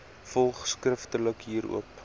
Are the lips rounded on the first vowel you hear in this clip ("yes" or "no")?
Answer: yes